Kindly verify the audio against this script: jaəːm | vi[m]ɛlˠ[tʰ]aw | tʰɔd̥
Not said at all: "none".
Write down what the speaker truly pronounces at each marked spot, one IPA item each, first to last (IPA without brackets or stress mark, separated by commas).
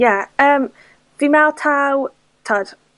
m, tʰ